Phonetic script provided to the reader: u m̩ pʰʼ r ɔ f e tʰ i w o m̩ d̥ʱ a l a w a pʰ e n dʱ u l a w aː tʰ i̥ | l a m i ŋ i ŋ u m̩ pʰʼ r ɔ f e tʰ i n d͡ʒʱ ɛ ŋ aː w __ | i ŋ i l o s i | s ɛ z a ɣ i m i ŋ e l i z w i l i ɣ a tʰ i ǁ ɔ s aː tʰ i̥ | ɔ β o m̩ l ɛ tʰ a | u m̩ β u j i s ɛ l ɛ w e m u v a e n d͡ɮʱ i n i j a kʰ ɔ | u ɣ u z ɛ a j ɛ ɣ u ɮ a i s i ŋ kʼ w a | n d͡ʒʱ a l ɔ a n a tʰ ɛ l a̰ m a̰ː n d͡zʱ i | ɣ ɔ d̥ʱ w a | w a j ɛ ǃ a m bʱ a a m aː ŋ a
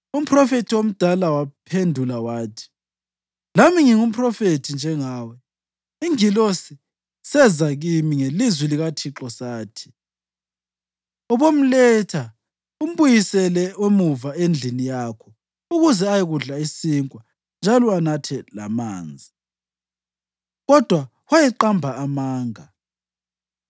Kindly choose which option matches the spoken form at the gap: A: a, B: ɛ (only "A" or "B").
B